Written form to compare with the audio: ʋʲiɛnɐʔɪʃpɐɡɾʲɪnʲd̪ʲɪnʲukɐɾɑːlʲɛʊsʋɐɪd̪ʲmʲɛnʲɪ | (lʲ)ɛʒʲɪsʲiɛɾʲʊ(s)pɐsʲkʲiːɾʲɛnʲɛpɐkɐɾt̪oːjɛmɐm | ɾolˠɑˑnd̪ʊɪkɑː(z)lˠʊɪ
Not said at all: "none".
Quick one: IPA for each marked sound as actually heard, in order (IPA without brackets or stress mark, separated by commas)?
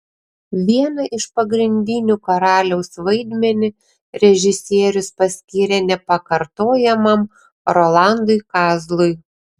ɾʲ, s, z